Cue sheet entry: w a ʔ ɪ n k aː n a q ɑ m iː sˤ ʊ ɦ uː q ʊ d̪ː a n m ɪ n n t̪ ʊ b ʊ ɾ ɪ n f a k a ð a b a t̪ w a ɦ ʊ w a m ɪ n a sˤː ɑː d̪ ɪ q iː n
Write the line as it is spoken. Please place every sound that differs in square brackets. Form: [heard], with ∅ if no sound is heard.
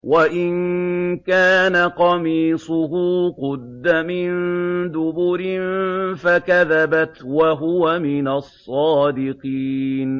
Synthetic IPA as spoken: w a ʔ ɪ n k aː n a q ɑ m iː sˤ ʊ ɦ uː q ʊ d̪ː a [∅] m ɪ n n [d̪] ʊ b ʊ ɾ ɪ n f a k a ð a b a t̪ w a ɦ ʊ w a m ɪ n a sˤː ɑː d̪ ɪ q iː n